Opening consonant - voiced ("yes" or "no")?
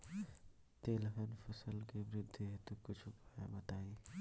no